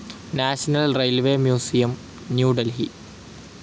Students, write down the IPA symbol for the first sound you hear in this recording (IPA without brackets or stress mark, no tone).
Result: n